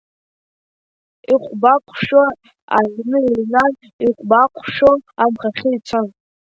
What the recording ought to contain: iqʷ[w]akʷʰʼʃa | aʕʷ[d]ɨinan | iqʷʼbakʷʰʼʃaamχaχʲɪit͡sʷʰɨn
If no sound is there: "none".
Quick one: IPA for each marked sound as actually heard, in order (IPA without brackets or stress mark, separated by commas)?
b, n